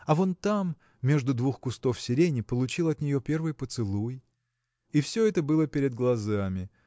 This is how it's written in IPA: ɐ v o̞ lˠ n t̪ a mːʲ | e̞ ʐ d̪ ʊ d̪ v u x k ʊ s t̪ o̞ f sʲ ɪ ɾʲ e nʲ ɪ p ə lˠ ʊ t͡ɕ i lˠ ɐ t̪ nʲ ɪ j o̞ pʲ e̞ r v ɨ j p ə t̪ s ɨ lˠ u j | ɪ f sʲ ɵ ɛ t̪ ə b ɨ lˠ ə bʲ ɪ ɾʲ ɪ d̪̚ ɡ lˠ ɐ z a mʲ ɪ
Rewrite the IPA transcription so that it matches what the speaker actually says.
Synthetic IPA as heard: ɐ v o̞ n t̪ a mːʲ | e̞ ʐ d̪ ʊ d̪ v u x k ʊ s t̪ o̞ f sʲ ɪ ɾʲ e nʲ ɪ p ə lˠ ʊ t͡ɕ i lˠ ɐ t̪ nʲ ɪ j o̞ pʲ e̞ r v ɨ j p ə t̪ s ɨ lˠ u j | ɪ f sʲ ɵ ɛ t̪ ə b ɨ lˠ ə pʲ ɪ ɾʲ ɪ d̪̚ ɡ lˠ ɐ z a mʲ ɪ